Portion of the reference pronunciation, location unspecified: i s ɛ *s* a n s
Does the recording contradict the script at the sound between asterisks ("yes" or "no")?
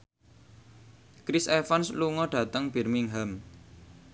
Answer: yes